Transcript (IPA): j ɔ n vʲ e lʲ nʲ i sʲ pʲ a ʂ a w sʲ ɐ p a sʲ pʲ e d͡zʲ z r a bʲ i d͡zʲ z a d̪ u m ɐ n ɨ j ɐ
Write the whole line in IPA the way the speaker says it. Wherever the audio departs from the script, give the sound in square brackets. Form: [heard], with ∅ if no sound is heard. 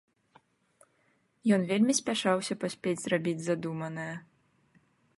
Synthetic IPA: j ɔ n vʲ e lʲ [mʲ] i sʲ pʲ a ʂ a w sʲ ɐ p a sʲ pʲ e d͡zʲ z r a bʲ i d͡zʲ z a d̪ u m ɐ n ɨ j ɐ